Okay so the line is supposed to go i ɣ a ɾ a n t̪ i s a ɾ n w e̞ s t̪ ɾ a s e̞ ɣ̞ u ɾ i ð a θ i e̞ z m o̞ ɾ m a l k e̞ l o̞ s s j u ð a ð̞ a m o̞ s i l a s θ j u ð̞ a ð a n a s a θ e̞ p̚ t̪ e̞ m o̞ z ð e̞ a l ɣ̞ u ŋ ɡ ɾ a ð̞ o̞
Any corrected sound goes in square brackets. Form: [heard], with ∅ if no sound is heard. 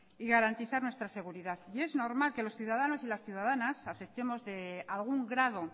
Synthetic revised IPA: i ɣ a ɾ a n t̪ i [θ] a ɾ n w e̞ s t̪ ɾ a s e̞ ɣ̞ u ɾ i ð a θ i e̞ z [n] o̞ ɾ m a l k e̞ l o̞ s [θ] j u ð a ð̞ a [n] o̞ s i l a s θ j u ð̞ a ð a n a s a θ e̞ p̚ t̪ e̞ m o̞ z ð e̞ a l ɣ̞ u ŋ ɡ ɾ a ð̞ o̞